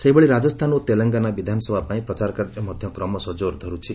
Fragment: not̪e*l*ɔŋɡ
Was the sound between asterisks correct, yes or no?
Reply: yes